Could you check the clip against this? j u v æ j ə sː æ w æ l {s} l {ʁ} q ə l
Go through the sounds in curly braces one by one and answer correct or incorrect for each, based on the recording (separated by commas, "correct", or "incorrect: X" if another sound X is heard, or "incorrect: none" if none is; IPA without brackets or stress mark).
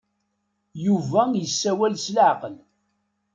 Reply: correct, incorrect: ʕ